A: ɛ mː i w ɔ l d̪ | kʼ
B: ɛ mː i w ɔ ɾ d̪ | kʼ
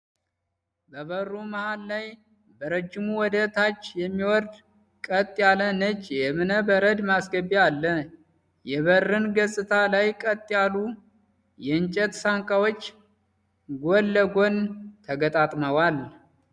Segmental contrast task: B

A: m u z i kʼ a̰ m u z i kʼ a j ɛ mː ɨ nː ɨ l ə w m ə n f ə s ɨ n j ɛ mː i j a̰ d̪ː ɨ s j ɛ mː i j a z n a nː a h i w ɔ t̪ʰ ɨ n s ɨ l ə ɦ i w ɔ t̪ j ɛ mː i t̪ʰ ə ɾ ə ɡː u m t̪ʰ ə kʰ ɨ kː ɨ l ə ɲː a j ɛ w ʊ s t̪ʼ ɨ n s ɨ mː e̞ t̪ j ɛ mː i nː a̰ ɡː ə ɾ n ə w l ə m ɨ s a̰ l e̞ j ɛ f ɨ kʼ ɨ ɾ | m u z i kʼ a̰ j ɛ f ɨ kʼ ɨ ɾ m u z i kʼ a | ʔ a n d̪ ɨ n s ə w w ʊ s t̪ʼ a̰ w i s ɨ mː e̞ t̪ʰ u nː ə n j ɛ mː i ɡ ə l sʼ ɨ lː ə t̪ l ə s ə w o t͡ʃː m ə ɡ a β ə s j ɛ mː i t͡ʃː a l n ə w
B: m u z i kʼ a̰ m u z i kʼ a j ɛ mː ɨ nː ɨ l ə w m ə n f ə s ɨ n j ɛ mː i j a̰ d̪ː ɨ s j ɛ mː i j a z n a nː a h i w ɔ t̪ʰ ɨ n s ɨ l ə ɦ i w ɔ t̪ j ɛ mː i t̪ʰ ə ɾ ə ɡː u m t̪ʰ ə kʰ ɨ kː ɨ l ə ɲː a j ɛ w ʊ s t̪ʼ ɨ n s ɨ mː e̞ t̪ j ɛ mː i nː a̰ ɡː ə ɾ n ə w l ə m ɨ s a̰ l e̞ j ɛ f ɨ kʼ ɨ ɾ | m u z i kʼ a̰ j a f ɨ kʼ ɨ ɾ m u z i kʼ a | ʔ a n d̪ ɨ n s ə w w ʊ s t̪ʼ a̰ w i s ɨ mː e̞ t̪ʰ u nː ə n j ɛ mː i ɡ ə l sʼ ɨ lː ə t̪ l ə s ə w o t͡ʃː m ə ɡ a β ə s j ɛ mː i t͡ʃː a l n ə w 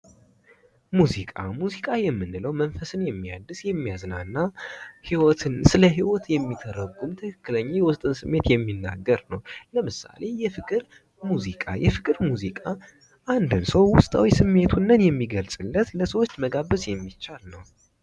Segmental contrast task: A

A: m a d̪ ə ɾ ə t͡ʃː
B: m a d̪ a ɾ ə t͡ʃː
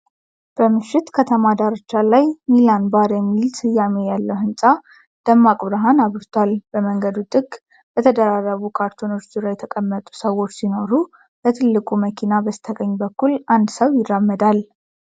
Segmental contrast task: B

